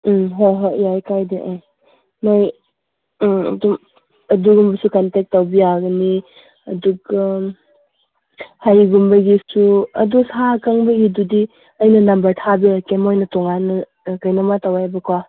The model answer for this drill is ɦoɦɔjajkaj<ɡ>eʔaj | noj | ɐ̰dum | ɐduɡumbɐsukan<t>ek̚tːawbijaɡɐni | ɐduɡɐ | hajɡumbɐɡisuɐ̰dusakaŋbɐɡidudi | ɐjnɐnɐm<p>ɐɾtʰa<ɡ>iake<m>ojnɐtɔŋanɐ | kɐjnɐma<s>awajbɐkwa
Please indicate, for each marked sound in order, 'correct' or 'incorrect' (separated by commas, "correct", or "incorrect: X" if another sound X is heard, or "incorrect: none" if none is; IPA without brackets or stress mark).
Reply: incorrect: d, correct, incorrect: b, incorrect: b, correct, incorrect: t